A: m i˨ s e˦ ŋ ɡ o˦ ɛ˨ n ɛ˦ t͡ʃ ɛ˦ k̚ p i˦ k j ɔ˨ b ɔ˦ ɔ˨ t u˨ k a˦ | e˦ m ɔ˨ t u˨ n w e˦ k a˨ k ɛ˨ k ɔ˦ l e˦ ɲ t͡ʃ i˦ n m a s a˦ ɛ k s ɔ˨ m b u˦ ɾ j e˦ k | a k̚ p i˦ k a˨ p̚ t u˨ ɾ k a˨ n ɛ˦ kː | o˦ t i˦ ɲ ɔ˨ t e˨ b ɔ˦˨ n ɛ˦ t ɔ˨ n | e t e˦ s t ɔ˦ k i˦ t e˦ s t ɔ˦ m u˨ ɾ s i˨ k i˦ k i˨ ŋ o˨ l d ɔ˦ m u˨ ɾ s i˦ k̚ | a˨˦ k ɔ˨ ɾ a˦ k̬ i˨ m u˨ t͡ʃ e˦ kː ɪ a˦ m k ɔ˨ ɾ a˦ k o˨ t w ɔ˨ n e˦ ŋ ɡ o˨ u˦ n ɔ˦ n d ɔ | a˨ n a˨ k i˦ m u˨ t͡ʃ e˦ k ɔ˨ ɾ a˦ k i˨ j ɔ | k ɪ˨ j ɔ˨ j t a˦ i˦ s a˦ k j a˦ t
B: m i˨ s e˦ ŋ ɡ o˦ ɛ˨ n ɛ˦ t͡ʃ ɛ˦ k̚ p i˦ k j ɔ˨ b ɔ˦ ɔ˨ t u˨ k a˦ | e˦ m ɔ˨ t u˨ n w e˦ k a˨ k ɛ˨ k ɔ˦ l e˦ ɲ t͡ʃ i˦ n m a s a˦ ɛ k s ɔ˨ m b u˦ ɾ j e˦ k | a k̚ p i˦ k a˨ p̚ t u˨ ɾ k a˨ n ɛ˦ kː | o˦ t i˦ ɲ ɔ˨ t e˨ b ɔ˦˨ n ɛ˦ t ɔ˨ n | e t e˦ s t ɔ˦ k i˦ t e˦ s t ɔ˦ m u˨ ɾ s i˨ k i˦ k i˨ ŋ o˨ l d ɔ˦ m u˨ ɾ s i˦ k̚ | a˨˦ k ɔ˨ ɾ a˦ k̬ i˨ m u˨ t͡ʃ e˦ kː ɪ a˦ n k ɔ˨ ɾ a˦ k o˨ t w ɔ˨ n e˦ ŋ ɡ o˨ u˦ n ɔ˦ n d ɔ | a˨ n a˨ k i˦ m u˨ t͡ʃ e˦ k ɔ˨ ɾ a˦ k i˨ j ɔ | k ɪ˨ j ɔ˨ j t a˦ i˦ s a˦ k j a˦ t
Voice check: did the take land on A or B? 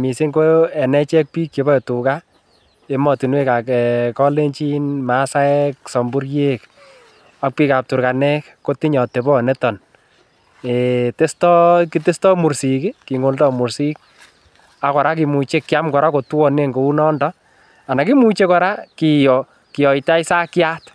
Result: A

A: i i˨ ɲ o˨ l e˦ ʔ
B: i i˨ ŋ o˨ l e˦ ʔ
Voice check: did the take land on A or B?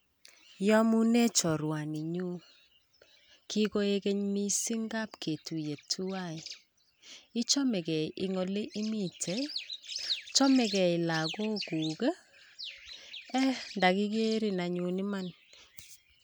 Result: B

